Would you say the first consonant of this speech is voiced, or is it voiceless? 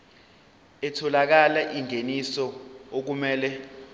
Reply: voiceless